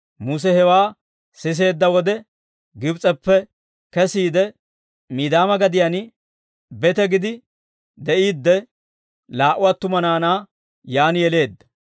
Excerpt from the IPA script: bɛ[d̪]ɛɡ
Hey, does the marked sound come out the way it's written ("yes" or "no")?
no